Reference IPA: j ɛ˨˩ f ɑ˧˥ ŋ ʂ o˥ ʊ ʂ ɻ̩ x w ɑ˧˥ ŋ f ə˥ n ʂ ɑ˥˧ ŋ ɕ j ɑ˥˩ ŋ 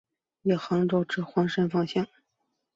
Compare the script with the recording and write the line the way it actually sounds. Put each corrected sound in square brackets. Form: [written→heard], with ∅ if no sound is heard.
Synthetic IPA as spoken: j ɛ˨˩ [f→x] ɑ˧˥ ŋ [ʂ→ʈ͡ʂ] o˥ ʊ [ʂ→ʈ͡ʂ] ɻ̩ x w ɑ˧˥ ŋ [f→ʂ] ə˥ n [ʂ→f] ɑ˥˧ ŋ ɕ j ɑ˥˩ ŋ